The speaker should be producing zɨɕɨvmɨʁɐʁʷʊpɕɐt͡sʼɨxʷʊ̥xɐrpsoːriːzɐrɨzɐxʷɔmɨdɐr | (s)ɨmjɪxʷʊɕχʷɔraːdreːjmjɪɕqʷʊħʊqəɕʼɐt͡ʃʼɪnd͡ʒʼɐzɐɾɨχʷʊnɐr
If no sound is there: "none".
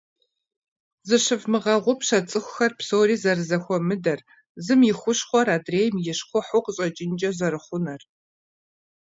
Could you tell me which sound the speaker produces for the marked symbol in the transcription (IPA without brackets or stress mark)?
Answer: z